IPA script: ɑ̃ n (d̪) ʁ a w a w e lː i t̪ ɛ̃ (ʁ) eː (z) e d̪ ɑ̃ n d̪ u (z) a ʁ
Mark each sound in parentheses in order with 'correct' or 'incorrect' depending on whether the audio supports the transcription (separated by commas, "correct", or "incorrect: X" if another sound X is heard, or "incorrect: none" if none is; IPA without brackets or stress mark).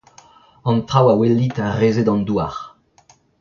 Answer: incorrect: t̪, correct, correct, incorrect: none